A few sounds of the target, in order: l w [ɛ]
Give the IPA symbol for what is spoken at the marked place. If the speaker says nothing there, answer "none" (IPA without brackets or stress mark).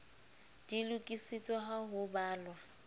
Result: a